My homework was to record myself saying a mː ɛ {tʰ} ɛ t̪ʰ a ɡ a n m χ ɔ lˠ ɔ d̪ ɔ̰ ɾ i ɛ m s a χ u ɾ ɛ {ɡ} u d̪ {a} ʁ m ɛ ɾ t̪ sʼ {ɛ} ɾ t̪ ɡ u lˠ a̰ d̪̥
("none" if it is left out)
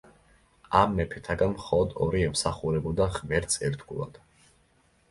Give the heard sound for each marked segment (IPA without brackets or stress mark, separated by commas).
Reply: pʰ, b, a, ɛ